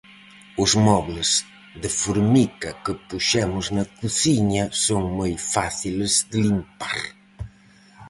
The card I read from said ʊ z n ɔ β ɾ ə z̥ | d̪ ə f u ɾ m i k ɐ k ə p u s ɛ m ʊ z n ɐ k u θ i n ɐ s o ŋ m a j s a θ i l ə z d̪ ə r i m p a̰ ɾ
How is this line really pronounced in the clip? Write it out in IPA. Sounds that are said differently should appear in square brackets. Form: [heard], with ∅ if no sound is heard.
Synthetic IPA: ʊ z [m] ɔ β [l] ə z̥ | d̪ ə f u ɾ m i k ɐ k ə p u [ʃ] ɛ m ʊ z n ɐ k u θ i [ɲ] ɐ s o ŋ m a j [f] a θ i l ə z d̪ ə [l] i m p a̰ ɾ